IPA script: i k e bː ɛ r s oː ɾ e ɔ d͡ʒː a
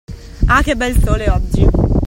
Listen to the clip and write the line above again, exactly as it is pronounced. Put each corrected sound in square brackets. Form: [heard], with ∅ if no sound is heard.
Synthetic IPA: [a] k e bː ɛ [l] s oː [l] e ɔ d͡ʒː [i]